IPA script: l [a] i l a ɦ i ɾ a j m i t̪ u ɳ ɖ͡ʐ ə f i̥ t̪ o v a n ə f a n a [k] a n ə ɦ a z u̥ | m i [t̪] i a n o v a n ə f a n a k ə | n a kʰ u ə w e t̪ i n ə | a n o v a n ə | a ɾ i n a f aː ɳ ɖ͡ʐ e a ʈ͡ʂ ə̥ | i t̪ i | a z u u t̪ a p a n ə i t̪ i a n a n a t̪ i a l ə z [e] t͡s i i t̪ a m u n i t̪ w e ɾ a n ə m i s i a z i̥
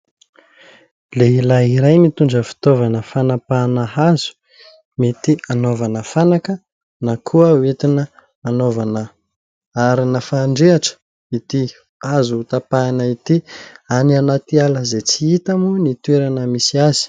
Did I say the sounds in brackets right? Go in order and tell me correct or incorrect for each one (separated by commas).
incorrect, incorrect, correct, correct